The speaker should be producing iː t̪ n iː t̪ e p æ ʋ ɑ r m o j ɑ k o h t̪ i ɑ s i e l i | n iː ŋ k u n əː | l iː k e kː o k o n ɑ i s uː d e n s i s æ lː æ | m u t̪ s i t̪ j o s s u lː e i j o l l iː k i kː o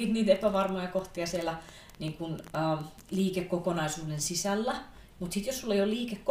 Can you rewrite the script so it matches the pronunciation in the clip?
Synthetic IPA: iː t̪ n iː t̪ e p æ ʋ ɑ r m o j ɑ k o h t̪ i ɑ s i e l æ | n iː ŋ k u n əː | l iː k e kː o k o n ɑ i s uː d e n s i s æ lː æ | m u t̪ s i t̪ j o s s u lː e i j o l l iː k e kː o